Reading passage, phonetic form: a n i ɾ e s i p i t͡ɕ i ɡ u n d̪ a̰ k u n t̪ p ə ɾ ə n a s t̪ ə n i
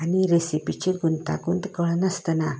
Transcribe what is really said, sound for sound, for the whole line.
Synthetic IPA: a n i ɾ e s i p i t͡ɕ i ɡ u n t̪ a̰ k u n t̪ k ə ɭ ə n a s t̪ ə n a